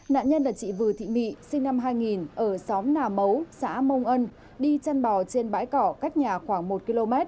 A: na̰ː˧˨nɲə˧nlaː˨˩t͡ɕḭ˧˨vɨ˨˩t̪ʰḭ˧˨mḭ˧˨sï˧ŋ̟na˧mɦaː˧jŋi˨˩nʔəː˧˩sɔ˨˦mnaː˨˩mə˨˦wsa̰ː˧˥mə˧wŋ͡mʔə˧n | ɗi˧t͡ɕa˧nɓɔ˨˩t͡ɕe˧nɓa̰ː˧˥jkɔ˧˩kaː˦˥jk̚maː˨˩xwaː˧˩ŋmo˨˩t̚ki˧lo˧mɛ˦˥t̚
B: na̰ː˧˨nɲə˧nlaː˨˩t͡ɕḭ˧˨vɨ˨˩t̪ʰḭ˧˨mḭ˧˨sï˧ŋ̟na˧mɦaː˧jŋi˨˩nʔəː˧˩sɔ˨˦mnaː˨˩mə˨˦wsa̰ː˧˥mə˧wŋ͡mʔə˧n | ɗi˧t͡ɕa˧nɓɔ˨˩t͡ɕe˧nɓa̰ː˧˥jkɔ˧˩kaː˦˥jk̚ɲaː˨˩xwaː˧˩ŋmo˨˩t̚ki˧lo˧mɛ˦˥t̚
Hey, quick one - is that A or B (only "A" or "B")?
B